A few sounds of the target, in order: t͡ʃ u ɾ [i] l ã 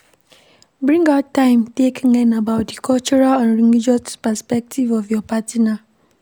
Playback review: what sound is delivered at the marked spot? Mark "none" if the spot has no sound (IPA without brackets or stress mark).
a